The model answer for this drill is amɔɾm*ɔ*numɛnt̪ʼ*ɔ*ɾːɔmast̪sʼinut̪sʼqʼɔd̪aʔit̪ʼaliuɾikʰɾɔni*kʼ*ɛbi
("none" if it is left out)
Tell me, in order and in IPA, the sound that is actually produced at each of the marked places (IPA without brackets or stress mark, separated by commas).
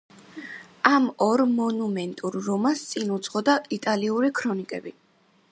ɔ, u, kʼ